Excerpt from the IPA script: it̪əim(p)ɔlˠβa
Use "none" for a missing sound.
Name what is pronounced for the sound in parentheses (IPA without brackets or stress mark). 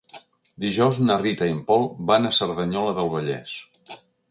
p